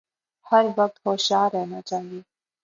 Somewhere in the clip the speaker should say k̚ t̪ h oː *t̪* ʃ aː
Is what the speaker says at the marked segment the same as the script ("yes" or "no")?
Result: no